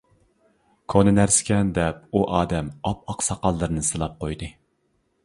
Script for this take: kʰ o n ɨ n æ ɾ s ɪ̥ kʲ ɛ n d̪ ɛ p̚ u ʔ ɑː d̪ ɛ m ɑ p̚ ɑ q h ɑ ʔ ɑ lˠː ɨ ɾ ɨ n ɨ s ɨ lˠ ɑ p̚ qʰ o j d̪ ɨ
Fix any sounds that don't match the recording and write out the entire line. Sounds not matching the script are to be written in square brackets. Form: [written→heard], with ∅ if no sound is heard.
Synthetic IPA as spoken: kʰ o n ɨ n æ ɾ s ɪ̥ kʲ ɛ n d̪ ɛ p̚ u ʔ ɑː d̪ ɛ m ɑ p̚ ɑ q [h→s] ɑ [ʔ→q] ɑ lˠː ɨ ɾ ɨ n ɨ s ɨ lˠ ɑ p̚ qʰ o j d̪ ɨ